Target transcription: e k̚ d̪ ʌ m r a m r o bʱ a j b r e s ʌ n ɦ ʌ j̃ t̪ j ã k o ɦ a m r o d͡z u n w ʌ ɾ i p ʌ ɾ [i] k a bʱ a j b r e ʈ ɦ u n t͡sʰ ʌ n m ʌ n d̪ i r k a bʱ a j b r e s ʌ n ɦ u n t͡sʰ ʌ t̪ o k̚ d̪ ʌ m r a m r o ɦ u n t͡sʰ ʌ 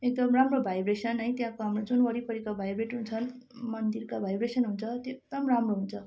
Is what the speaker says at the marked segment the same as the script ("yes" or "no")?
yes